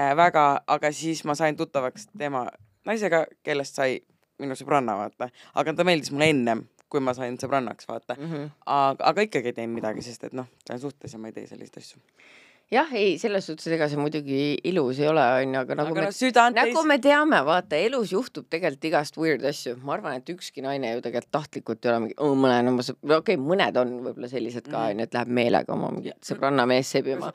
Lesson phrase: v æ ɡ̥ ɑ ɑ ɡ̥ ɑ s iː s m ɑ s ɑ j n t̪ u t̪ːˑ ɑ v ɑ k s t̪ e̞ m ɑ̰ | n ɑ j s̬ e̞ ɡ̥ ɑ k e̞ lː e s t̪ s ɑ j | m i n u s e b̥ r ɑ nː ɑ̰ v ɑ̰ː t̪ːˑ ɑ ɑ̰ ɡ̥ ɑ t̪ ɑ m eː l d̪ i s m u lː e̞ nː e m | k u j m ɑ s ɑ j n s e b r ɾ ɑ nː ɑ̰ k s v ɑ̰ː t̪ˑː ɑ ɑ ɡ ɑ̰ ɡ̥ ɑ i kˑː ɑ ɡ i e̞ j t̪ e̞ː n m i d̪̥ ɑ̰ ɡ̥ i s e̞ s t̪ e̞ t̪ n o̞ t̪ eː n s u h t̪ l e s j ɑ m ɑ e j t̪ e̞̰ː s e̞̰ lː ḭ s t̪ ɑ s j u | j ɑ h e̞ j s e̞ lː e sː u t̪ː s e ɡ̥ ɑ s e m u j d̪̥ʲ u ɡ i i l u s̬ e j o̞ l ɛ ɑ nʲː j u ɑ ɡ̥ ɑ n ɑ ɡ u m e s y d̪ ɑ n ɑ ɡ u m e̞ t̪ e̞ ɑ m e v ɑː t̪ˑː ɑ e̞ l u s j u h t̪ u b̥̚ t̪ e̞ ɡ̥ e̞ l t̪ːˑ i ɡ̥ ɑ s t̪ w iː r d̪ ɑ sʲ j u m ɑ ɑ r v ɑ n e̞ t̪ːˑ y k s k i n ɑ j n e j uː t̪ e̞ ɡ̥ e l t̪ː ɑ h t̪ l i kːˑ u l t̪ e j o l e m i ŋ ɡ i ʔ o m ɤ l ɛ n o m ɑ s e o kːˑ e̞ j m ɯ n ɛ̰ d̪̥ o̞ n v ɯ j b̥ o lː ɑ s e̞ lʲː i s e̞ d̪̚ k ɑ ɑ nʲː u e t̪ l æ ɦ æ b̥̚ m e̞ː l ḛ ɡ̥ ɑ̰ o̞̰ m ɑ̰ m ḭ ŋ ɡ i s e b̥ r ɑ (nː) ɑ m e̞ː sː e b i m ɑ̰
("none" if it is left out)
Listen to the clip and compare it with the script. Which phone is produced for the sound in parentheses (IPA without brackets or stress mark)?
nː